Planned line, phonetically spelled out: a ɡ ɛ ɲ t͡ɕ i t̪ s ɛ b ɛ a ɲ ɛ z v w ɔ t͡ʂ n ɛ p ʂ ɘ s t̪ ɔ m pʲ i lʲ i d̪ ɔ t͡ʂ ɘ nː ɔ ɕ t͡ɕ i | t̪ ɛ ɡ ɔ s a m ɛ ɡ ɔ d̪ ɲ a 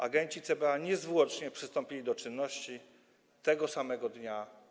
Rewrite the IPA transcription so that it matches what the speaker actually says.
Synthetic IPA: a ɡ ɛ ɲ t͡ɕ i t̪ s ɛ b ɛ a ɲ ɛ z v w ɔ t͡ʂ ɲ ɛ p ʂ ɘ s t̪ ɔ m pʲ i lʲ i d̪ ɔ t͡ʂ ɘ nː ɔ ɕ t͡ɕ i | t̪ ɛ ɡ ɔ s a m ɛ ɡ ɔ d̪ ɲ a

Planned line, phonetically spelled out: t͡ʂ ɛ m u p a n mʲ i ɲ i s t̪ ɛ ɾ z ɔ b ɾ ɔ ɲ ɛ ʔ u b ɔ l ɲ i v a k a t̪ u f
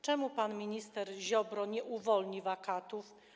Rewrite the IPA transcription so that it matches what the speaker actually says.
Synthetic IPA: t͡ʂ ɛ m u p a n mʲ i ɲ i s t̪ ɛ ɾ ʑ ɔ b ɾ ɔ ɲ ɛ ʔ u v ɔ l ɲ i v a k a t̪ u f

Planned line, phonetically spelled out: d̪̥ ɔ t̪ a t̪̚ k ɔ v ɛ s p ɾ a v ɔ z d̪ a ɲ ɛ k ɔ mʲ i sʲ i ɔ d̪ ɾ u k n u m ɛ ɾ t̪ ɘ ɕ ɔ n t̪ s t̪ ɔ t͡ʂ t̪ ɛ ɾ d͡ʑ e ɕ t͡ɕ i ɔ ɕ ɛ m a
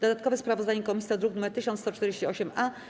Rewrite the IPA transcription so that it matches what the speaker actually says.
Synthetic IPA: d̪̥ ɔ d̪ a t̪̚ k ɔ v ɛ s p ɾ a v ɔ z d̪ a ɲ ɛ k ɔ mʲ i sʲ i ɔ d̪ ɾ u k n u m ɛ ɾ t̪ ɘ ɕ ɔ n t̪ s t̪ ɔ t͡ʂ t̪ ɛ ɾ d͡ʑ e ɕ t͡ɕ i ɔ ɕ ɛ m a

